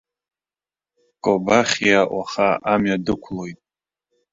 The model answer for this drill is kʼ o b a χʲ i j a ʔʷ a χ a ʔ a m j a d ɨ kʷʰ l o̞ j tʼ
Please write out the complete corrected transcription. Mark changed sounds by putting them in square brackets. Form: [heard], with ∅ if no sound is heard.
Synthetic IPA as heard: kʼ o b a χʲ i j a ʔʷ a χ a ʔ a m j a d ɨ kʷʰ l o̞ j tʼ